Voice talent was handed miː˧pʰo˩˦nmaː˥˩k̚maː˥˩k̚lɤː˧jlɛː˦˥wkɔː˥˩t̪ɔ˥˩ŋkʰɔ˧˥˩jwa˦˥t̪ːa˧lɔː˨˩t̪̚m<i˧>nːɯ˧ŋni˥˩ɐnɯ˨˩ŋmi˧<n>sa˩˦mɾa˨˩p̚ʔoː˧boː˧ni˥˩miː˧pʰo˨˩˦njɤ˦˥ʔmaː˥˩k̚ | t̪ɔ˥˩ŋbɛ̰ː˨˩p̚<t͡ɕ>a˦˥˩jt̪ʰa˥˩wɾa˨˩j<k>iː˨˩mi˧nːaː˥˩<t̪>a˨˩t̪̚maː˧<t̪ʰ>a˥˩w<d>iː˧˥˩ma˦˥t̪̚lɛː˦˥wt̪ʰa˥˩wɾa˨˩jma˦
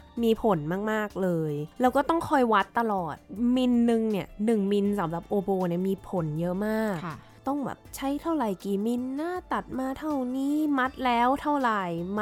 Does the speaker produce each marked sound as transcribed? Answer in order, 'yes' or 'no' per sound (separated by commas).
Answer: yes, yes, no, yes, yes, yes, no